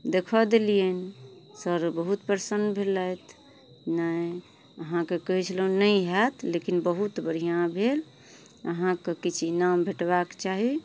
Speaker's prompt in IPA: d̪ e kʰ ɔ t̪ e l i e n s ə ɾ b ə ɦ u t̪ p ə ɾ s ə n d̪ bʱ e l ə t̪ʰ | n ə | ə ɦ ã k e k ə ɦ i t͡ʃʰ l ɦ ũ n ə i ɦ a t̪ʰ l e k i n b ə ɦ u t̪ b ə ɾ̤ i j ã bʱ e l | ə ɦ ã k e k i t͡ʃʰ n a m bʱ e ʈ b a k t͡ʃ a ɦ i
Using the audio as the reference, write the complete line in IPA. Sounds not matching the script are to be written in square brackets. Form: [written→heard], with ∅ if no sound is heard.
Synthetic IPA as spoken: d̪ e kʰ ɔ [t̪→d̪] e l i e n s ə ɾ b ə ɦ u t̪ p ə ɾ s ə n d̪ bʱ e l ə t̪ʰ | n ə | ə ɦ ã k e k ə ɦ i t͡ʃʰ l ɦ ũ n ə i ɦ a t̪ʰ l e k i n b ə ɦ u t̪ b ə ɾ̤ i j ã bʱ e l | ə ɦ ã k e k i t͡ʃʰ n a m bʱ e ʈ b a k t͡ʃ a ɦ i